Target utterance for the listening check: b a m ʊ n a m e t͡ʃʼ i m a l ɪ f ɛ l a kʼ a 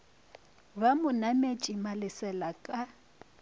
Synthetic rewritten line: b a m ʊ n a m e t͡ʃʼ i m a l ɪ s ɛ l a kʼ a